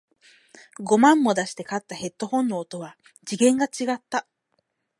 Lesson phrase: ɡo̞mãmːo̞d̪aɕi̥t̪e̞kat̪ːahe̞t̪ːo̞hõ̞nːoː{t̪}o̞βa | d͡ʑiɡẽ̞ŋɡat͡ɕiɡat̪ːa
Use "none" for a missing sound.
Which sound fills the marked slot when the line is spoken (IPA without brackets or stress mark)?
t̪